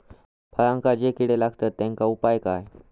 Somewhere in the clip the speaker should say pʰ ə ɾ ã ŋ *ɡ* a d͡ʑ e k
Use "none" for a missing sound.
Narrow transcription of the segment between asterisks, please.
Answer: k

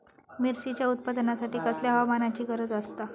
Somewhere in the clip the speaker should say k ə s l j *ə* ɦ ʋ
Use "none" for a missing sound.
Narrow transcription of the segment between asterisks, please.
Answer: a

